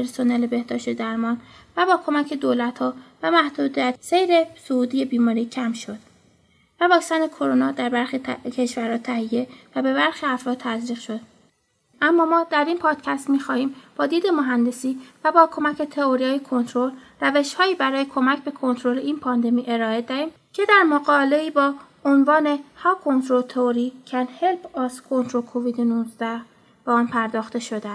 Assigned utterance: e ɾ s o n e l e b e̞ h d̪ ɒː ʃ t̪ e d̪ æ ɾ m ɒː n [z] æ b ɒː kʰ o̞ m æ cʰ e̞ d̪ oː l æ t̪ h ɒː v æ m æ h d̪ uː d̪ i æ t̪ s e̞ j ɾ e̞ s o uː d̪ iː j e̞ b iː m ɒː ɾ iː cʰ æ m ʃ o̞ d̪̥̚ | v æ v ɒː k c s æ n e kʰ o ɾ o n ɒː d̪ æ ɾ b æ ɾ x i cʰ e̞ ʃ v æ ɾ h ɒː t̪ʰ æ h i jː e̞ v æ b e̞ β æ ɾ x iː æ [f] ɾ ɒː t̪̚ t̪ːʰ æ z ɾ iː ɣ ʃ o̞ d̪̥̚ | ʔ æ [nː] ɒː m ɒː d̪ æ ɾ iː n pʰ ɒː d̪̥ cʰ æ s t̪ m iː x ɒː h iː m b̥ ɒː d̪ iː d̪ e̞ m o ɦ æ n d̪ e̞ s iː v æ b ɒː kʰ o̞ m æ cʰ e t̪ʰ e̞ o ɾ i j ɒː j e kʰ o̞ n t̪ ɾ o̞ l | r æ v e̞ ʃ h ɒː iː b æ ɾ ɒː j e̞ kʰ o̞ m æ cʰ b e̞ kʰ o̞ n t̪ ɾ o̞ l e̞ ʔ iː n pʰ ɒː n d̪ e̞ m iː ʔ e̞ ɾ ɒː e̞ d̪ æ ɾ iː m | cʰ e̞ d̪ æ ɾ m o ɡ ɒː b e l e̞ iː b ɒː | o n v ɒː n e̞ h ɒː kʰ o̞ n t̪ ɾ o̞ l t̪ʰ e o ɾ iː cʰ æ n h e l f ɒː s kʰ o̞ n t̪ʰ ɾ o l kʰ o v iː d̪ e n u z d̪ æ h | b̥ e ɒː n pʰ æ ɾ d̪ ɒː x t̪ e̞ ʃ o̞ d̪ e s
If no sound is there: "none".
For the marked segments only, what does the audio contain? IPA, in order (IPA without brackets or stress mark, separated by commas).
v, f, mː